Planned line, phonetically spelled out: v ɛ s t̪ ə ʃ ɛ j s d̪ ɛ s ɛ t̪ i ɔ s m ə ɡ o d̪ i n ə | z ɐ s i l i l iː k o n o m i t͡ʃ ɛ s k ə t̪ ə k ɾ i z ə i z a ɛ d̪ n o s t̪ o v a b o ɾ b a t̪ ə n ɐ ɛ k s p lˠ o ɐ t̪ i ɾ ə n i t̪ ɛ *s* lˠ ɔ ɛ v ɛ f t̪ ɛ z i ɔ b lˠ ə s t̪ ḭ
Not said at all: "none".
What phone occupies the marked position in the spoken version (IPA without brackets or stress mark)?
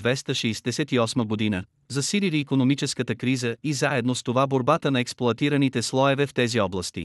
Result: s